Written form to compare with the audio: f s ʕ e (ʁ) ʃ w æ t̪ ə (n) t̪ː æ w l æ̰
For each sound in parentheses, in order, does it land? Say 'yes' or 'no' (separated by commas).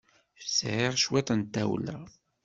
yes, yes